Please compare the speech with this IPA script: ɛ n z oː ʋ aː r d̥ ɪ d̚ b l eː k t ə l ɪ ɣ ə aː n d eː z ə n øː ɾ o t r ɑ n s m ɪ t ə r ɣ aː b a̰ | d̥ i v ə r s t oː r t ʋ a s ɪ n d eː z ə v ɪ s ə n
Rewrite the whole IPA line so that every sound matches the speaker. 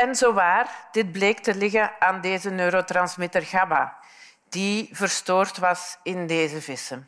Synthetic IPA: ɛ n z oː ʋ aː r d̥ ɪ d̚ b l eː k t ə l ɪ ɣ ə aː n d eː z ə n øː ɾ o t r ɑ n s m ɪ t ə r ɣ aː b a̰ | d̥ i v ə r s t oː r t ʋ ɑ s ɪ n d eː z ə v ɪ s ə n